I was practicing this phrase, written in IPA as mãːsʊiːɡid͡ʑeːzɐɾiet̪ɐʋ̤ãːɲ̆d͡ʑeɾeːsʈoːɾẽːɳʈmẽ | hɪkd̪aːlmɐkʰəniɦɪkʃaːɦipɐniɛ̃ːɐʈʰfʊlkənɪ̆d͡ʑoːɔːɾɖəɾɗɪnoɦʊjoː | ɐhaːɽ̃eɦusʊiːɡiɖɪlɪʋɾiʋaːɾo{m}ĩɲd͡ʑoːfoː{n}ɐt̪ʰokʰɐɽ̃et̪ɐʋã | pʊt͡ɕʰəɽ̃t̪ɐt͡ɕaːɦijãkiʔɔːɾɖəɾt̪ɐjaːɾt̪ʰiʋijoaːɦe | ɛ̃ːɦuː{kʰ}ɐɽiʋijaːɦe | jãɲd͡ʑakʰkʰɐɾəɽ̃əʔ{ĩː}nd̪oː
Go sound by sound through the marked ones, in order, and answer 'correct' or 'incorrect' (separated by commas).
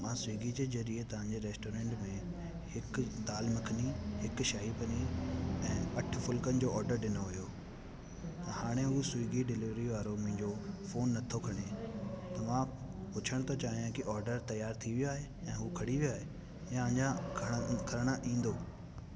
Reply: correct, incorrect, correct, correct